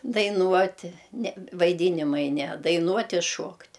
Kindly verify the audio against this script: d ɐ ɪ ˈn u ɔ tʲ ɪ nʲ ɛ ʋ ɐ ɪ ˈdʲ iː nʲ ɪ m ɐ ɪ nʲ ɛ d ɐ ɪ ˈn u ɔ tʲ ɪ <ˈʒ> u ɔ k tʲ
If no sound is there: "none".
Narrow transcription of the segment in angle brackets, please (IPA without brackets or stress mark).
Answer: ʃ